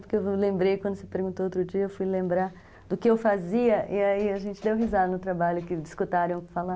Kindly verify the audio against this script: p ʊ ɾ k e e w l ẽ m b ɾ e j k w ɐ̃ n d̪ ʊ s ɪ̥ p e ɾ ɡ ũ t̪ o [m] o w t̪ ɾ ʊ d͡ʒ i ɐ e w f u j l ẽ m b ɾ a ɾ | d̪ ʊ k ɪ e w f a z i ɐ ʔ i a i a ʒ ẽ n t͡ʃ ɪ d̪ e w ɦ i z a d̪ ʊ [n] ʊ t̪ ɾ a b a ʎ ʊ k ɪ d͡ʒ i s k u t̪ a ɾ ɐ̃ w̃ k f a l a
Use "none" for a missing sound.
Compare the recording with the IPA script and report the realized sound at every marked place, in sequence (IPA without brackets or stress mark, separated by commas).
none, n